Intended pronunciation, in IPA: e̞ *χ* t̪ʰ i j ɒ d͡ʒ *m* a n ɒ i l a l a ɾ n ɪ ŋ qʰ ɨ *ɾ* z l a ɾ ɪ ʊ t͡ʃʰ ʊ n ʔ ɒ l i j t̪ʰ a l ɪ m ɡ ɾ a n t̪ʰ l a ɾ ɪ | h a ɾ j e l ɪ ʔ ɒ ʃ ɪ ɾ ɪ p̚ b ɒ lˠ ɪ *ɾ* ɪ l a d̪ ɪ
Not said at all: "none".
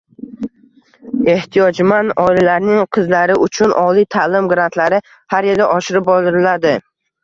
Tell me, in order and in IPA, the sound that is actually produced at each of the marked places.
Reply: h, m, none, ɾ

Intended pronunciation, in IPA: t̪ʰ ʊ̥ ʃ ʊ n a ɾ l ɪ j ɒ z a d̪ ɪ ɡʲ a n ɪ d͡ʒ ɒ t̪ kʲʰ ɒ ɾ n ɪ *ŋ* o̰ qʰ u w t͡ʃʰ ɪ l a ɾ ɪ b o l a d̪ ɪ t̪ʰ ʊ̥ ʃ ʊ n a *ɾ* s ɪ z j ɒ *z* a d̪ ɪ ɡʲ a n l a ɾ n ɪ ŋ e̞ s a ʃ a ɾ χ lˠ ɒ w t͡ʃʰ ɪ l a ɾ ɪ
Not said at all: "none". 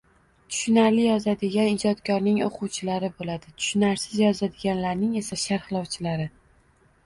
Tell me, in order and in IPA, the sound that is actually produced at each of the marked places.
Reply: ŋ, ɾ, z

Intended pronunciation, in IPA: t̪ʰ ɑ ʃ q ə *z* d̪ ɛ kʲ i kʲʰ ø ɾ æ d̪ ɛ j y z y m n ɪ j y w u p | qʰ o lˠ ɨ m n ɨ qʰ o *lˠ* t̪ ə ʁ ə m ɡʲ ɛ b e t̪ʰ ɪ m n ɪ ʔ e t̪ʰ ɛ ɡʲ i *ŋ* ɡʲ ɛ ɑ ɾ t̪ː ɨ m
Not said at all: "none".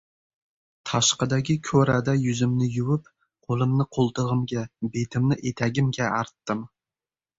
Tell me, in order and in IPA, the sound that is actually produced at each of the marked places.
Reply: none, lˠ, m

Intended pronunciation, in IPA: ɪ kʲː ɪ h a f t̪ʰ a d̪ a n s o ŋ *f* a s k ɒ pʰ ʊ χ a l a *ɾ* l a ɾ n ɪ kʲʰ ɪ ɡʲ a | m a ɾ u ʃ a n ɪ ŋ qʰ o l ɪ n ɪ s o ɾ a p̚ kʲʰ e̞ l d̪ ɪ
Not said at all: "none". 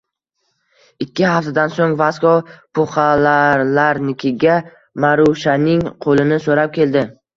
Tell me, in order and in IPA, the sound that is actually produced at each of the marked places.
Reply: v, ɾ

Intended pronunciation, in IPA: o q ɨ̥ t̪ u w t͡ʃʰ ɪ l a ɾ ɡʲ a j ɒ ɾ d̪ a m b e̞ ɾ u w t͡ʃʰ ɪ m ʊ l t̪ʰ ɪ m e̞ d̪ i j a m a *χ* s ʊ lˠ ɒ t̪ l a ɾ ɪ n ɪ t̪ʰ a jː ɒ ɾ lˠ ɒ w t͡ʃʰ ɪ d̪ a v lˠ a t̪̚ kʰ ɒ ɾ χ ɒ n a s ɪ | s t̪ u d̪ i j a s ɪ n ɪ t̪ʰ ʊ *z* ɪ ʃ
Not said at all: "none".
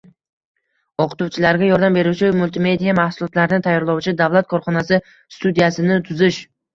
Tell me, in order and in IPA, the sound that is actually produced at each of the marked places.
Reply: h, z

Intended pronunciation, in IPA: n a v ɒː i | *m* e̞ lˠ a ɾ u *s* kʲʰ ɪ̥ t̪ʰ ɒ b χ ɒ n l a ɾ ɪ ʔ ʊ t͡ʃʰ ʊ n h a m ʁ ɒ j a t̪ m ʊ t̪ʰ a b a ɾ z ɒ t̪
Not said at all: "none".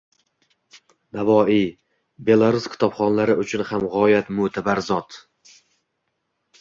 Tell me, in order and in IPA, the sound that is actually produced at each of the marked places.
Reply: b, s

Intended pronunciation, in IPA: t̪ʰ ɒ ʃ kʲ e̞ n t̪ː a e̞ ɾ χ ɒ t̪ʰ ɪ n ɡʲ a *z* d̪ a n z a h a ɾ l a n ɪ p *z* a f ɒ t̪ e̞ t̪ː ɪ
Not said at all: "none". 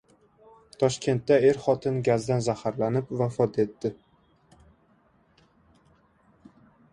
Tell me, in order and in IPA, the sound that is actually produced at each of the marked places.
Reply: z, v

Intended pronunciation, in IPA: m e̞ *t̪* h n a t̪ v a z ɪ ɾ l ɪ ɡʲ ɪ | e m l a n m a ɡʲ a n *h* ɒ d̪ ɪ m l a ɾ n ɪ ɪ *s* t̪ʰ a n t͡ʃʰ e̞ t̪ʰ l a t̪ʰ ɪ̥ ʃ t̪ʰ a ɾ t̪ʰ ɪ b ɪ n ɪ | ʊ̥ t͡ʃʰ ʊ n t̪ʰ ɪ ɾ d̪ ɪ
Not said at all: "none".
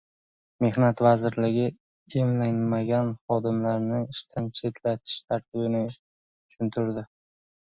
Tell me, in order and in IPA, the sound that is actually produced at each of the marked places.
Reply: none, χ, ʃ

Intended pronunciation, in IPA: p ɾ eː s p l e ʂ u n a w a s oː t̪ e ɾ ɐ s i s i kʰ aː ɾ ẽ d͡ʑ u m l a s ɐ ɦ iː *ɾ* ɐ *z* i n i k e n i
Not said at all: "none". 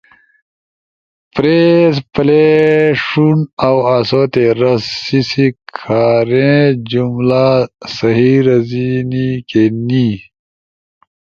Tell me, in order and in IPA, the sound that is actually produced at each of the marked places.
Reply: ɾ, z

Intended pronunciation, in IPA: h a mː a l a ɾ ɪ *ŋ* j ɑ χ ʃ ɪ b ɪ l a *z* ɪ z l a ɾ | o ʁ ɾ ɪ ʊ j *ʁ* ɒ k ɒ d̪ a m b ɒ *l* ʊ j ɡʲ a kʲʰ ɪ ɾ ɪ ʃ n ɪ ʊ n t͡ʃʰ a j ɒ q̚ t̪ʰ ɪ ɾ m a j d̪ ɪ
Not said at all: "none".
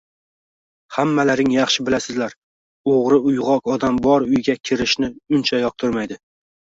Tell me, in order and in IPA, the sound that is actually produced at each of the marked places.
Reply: ŋ, s, ʁ, ɾ

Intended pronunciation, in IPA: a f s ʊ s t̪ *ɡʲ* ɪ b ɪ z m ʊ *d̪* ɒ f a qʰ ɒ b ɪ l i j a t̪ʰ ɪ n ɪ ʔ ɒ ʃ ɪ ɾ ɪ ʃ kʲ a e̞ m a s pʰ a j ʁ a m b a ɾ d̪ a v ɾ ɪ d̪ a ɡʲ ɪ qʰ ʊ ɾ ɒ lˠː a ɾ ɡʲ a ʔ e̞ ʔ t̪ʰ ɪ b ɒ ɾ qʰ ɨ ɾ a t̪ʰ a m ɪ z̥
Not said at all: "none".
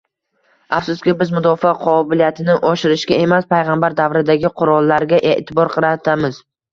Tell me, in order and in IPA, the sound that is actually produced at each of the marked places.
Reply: kʲ, d̪

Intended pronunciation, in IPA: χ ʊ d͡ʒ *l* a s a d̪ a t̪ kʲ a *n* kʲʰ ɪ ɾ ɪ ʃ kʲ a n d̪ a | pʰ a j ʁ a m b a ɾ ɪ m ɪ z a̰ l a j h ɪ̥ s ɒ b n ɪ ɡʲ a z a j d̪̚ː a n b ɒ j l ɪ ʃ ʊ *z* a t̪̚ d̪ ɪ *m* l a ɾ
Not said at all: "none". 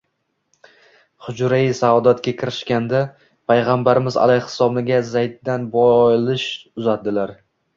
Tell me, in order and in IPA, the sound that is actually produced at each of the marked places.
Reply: ɾ, none, z, none

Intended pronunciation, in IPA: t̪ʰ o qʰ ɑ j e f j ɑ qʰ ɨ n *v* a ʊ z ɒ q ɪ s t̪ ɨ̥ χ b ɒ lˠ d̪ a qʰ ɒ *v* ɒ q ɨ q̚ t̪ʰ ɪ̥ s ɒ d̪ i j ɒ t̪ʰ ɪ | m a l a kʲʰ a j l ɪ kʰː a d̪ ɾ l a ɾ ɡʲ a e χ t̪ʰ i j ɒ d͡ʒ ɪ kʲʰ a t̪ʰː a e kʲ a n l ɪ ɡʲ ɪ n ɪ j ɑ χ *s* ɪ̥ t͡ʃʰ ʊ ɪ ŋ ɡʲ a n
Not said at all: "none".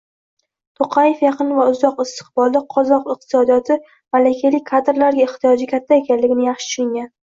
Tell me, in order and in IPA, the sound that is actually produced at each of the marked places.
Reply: v, z, ʃ

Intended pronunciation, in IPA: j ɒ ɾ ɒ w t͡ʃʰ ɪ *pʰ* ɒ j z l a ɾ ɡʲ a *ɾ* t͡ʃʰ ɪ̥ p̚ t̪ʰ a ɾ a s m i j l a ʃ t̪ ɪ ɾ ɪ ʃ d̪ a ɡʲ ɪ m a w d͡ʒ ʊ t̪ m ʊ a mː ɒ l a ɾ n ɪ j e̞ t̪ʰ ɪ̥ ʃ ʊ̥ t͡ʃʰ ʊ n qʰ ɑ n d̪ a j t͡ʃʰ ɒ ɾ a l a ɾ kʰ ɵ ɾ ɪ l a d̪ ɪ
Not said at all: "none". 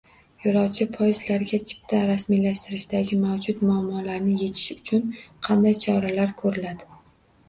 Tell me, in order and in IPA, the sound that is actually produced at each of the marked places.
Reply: pʰ, none

